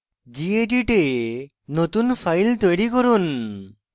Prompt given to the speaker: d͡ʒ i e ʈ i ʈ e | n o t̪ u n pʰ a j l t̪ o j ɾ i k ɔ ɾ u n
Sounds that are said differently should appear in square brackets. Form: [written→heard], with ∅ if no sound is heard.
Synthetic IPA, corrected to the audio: d͡ʒ i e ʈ i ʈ e | n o t̪ u n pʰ a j l t̪ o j ɾ i k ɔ ɾ u n